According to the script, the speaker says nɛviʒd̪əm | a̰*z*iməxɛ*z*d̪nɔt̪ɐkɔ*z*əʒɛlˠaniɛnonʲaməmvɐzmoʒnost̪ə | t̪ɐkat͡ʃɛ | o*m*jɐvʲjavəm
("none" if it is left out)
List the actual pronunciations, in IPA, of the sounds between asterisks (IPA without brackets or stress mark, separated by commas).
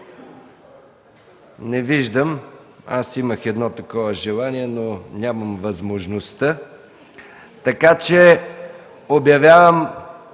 s, none, v, b